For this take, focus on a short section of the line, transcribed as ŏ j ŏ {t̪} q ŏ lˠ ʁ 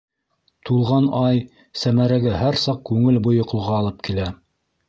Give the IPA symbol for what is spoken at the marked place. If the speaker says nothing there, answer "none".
none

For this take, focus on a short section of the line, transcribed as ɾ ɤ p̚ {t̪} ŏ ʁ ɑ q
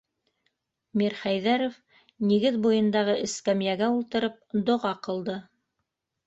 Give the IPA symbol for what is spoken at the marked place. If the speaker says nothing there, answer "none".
d̪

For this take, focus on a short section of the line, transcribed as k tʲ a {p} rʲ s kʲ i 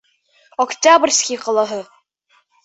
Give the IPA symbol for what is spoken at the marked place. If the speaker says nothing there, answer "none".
b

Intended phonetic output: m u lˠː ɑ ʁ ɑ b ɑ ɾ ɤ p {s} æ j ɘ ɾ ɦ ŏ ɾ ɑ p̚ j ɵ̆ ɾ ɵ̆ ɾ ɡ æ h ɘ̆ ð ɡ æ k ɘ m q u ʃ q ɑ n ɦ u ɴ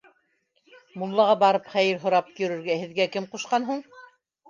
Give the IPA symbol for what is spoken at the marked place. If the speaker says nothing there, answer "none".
χ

